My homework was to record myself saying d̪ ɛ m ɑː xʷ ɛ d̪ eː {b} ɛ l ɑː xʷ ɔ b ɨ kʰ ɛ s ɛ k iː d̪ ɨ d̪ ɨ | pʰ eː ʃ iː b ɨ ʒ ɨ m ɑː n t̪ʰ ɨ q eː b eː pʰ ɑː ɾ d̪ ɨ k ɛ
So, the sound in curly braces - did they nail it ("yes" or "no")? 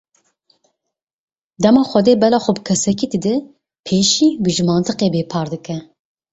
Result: yes